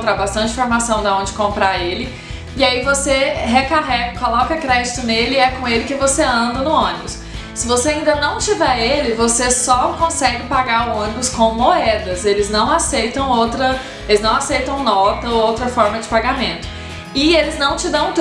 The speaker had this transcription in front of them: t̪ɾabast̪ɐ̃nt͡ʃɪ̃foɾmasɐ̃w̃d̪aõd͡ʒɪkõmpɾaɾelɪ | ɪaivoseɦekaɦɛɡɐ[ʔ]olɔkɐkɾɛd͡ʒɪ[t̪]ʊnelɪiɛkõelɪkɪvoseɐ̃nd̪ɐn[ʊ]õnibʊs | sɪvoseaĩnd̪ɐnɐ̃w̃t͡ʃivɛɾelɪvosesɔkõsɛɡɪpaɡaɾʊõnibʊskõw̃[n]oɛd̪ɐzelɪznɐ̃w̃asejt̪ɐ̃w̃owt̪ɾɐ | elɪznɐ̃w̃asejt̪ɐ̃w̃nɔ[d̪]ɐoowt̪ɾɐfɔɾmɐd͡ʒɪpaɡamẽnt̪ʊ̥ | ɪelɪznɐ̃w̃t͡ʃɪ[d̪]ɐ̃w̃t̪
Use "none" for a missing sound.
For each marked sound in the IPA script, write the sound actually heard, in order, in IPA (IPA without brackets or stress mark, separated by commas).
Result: k, t̪, ʊ, m, t̪, d̪